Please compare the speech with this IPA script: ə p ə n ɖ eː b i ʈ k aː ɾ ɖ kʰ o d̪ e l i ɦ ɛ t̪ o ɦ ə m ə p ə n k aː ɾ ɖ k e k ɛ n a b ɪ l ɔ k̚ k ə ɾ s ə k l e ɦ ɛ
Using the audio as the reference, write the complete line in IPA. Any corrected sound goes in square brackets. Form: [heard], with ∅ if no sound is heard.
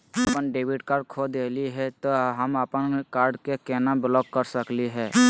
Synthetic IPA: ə p ə n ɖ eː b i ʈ k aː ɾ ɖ kʰ o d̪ e l i ɦ ɛ t̪ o ɦ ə m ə p ə n k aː ɾ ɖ k e k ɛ n a b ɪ l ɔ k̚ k ə ɾ s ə k l [i] ɦ ɛ